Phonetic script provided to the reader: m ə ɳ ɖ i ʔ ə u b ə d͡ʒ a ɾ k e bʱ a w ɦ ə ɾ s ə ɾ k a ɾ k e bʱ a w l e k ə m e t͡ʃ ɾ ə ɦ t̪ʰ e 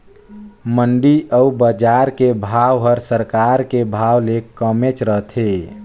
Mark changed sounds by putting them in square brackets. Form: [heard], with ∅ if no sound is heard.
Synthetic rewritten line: m ə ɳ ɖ i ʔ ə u b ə d͡ʒ a ɾ k e bʱ a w ɦ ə ɾ s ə ɾ k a ɾ k e bʱ a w l e k ə m e t͡ʃ ɾ ə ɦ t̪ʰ e